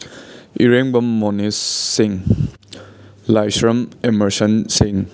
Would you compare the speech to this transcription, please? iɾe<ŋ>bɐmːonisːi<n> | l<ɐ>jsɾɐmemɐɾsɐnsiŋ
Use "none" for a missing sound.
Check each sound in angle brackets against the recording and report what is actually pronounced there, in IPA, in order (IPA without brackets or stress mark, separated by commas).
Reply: ŋ, ŋ, a